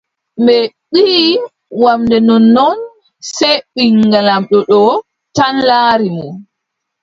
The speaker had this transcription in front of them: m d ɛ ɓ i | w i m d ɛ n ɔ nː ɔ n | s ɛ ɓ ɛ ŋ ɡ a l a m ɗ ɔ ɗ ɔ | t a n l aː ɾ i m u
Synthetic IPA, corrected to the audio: m b ɛ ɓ i | w a m d ɛ n ɔ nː ɔ n | s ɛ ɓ i ŋ ɡ a l a m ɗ ɔ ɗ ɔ | t a n l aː ɾ i m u